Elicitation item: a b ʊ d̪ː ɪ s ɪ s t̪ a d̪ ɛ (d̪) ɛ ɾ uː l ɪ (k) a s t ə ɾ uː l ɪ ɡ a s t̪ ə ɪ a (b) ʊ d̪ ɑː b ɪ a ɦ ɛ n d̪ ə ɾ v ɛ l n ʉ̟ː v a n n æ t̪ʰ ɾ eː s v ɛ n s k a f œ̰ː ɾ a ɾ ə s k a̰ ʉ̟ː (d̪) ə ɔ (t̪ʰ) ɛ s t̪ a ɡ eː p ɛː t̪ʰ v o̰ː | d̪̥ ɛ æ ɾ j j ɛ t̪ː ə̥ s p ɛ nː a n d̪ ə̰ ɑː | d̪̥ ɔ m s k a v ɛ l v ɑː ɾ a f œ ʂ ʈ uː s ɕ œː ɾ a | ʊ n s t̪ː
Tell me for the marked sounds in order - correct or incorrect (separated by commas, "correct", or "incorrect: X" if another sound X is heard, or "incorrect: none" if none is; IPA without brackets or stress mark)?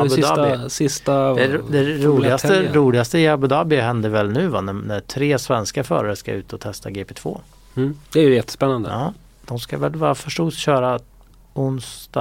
correct, incorrect: ɡ, correct, incorrect: t̪, correct